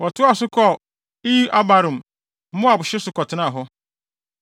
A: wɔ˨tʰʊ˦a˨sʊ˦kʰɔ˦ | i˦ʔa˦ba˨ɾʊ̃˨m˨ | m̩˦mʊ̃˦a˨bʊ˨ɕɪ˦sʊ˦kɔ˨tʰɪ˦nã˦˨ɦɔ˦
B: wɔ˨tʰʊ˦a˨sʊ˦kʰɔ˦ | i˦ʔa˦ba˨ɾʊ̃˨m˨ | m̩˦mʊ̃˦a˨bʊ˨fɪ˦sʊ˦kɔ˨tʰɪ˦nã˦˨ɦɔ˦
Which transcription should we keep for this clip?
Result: A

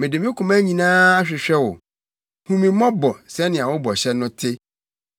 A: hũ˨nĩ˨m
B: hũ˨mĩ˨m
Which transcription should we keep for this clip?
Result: B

